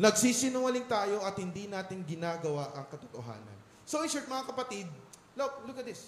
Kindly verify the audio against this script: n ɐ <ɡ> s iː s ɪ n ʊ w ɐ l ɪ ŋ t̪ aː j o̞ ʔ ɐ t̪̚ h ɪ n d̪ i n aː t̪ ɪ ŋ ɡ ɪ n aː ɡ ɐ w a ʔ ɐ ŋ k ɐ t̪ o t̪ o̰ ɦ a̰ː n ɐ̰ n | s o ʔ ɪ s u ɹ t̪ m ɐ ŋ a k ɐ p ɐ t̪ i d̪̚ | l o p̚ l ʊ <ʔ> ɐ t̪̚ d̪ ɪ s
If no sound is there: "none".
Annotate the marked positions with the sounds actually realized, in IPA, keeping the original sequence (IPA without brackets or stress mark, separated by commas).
ɡ, k